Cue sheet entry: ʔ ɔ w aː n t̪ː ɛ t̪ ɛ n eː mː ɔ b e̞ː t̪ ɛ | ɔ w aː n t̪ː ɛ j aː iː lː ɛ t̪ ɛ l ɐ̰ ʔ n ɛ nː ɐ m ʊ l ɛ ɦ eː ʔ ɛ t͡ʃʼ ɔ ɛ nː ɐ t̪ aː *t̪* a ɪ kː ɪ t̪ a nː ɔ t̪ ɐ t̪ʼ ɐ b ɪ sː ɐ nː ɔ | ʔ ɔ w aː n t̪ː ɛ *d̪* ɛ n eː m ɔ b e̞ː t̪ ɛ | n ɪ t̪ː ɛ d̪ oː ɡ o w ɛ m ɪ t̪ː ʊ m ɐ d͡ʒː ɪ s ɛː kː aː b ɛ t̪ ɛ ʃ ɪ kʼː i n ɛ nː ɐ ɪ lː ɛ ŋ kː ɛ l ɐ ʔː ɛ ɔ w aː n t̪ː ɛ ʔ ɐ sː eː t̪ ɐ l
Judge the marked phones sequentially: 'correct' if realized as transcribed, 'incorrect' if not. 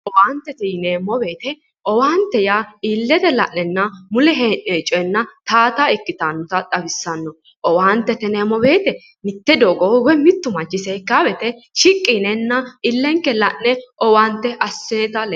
correct, incorrect

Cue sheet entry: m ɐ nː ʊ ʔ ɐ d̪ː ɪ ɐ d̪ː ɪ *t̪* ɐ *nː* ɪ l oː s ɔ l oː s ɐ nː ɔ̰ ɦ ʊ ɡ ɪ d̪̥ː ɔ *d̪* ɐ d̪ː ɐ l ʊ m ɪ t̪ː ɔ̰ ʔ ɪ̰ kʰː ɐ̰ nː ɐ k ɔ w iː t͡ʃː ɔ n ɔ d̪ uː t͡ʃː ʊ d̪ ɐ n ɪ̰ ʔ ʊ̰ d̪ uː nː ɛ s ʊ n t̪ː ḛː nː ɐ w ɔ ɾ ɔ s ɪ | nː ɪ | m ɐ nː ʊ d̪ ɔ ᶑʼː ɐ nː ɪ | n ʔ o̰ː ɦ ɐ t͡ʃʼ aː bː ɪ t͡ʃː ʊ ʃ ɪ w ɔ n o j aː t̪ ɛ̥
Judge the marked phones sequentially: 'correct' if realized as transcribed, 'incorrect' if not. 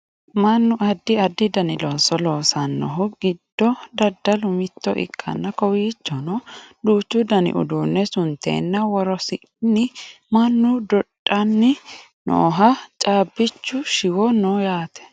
incorrect, incorrect, correct

